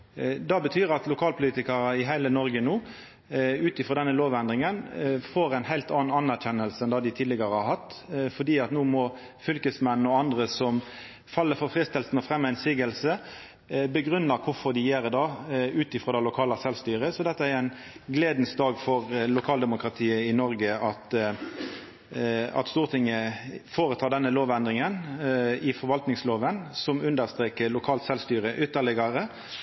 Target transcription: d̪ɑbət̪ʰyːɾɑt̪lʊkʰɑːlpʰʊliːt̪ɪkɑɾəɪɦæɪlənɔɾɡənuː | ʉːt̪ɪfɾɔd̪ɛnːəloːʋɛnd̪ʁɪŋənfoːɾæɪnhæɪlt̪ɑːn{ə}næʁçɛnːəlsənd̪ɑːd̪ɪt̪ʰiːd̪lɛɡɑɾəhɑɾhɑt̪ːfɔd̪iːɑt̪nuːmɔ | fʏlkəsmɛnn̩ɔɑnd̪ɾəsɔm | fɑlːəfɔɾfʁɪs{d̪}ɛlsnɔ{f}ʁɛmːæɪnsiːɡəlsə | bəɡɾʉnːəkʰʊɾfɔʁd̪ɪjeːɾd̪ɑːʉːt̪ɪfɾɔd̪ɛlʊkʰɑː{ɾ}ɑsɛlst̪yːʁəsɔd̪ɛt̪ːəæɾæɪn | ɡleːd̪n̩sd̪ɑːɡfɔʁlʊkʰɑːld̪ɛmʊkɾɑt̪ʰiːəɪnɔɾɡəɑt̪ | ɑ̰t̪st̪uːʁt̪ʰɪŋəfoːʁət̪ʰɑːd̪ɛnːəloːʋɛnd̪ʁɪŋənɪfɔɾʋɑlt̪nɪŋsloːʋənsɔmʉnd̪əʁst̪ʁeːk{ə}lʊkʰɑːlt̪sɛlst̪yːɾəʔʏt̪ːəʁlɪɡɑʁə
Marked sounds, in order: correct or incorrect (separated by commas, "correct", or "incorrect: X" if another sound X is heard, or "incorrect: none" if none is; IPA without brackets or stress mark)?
incorrect: ɑ, incorrect: t̪, correct, incorrect: l, correct